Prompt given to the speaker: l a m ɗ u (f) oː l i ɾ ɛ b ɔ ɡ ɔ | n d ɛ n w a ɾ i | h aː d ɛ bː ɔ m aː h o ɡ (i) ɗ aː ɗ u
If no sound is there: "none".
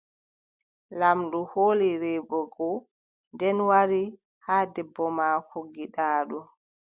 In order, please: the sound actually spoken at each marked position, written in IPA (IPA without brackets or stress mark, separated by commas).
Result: h, i